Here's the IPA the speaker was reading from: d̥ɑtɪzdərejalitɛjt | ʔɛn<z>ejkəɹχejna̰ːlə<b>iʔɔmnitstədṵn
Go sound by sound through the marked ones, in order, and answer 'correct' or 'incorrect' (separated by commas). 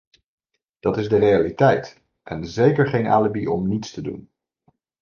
correct, correct